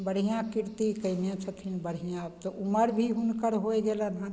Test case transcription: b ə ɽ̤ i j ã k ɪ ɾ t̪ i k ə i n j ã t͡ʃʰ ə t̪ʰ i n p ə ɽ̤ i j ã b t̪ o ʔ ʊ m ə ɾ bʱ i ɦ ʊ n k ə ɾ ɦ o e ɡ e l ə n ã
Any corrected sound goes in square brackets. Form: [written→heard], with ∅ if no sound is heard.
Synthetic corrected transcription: b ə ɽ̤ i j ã k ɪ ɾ t̪ i k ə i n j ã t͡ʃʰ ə t̪ʰ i n [p→b] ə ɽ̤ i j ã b t̪ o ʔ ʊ m ə ɾ bʱ i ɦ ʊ n k ə ɾ ɦ o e ɡ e l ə n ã